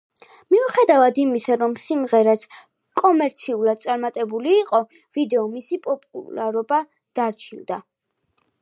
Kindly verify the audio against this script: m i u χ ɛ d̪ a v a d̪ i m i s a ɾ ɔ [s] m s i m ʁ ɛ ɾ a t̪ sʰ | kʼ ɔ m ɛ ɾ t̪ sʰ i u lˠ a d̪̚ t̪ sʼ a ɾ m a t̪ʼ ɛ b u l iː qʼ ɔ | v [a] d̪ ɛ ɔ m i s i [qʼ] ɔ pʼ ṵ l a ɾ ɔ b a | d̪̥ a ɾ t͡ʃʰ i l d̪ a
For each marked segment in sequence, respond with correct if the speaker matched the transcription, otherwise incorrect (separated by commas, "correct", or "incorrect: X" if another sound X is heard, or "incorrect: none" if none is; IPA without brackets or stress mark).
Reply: incorrect: none, incorrect: i, incorrect: pʼ